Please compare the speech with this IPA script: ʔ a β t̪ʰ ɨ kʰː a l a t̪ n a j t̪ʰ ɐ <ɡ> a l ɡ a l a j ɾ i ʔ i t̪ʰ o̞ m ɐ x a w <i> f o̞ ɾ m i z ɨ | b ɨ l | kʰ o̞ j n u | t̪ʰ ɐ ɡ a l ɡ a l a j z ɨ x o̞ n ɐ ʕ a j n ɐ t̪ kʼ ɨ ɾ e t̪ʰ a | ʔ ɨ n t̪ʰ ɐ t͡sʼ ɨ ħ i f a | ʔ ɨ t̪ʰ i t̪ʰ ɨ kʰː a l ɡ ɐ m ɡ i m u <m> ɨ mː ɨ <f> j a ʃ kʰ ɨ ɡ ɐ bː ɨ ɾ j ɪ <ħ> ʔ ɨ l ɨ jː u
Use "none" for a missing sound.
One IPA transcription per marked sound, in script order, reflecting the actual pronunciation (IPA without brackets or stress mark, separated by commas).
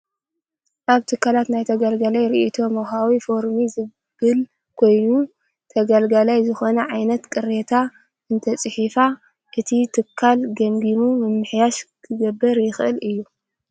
ɡ, i, m, ħ, x